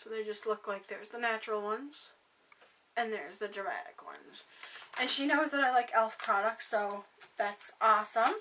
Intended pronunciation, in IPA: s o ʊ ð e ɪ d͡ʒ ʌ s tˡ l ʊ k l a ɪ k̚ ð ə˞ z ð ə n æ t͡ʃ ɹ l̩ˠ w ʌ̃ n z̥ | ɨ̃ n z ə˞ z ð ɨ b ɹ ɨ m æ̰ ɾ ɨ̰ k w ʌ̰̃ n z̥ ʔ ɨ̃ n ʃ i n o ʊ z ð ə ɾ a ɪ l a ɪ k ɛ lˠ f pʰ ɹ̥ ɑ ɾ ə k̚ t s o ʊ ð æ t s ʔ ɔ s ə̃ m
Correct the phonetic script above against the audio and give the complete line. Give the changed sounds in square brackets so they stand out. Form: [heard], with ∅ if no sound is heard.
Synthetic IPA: s o ʊ ð e ɪ d͡ʒ ʌ s tˡ l ʊ k l a ɪ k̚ ð ə˞ z ð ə n æ t͡ʃ ɹ l̩ˠ w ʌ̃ n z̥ | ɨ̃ n [ð] ə˞ z ð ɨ [d] ɹ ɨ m æ̰ ɾ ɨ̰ k w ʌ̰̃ n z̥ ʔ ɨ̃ n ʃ i n o ʊ z ð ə ɾ a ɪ l a ɪ k ɛ lˠ f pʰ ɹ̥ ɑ ɾ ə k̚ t s o ʊ ð æ t s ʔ ɔ s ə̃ m